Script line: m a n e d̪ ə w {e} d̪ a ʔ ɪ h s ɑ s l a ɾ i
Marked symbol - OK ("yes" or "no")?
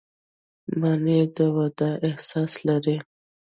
no